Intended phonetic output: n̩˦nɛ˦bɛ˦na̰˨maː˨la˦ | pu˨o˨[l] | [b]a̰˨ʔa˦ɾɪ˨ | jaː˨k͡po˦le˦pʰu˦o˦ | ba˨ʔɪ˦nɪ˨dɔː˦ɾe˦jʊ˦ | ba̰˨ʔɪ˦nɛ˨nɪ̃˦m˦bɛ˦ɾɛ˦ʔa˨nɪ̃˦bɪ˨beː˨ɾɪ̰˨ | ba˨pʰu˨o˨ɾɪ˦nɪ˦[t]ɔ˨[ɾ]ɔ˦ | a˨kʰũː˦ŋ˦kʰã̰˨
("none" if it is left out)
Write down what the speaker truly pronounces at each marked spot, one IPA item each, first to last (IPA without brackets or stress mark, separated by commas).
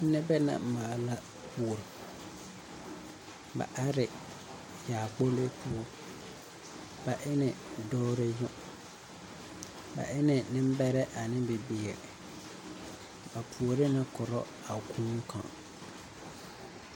ɾ, b, k, ɾ